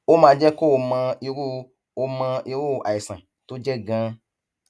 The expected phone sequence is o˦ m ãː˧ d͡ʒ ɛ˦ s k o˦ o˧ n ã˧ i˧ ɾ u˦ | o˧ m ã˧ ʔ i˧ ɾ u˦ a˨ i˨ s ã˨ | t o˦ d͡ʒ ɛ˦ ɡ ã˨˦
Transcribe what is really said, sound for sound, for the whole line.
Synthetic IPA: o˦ m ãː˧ d͡ʒ ɛ˦ k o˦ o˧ m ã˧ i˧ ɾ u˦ | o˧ m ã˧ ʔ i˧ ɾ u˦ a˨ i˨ s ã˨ | t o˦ d͡ʒ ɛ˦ ɡ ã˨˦